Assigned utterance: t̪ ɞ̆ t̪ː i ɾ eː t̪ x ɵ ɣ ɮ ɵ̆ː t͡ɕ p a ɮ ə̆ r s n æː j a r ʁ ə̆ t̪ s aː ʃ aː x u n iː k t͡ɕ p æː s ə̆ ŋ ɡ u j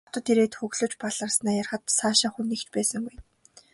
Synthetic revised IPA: t̪ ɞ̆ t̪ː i ɾ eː t̪ x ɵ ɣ ɮ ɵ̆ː t͡ɕ p a ɮ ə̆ r s n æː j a r χ ə̆ t̪ s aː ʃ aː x u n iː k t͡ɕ p æː s ə̆ ŋ ɡ u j